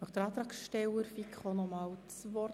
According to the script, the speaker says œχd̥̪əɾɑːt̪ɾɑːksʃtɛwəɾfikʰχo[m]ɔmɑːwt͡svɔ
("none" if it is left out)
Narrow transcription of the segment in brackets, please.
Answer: n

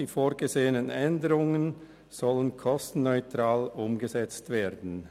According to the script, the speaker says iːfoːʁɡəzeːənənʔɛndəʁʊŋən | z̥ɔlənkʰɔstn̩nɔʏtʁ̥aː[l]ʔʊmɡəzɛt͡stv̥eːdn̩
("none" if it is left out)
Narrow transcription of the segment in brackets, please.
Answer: l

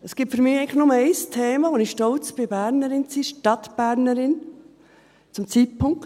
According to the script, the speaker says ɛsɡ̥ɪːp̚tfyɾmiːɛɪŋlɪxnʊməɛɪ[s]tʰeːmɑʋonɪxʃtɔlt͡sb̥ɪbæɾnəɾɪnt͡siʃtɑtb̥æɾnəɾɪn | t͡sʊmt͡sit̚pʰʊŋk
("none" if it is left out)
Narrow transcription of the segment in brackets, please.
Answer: s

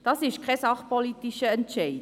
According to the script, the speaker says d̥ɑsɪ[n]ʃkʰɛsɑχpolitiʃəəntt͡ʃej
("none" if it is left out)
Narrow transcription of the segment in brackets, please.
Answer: none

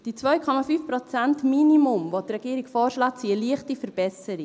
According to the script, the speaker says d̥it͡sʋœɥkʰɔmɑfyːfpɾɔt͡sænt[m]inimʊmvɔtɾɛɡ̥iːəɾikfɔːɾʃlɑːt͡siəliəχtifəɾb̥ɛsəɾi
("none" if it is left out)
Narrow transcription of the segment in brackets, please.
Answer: m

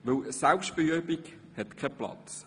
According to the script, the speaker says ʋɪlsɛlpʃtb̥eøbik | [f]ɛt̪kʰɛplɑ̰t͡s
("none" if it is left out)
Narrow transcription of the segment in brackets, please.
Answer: h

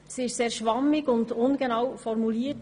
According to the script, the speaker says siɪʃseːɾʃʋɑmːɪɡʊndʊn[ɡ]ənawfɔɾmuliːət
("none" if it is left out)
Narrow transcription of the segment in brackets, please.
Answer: ɡ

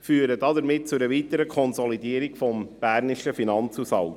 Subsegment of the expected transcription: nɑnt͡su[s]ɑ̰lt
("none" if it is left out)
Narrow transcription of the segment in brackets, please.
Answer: s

